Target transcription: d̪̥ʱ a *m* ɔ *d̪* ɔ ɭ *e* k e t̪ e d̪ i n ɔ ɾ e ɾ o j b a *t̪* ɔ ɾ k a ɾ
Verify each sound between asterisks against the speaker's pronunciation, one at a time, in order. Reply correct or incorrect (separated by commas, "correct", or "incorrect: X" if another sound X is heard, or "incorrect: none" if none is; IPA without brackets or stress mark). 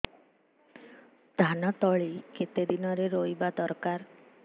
incorrect: n, incorrect: t̪, incorrect: i, incorrect: d̪